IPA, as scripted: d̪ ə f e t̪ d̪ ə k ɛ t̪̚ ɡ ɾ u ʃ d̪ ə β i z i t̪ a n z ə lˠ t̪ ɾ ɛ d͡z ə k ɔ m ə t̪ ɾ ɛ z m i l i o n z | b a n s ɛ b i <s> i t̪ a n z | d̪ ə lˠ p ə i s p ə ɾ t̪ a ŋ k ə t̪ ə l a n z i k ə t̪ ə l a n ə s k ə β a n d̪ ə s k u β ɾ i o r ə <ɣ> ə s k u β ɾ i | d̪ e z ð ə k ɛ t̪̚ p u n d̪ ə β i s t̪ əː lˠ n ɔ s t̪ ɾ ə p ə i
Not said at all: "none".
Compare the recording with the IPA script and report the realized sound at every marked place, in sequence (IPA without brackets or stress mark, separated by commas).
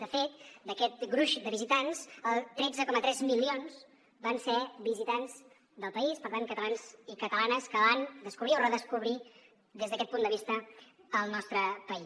z, ð